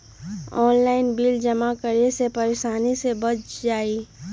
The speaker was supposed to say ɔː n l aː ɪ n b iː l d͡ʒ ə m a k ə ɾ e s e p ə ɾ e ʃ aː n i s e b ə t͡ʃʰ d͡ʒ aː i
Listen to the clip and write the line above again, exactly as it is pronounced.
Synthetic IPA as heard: ɔː n l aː ɪ n b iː l d͡ʒ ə m a k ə ɾ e s e p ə ɾ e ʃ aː n i s e b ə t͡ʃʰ d͡ʒ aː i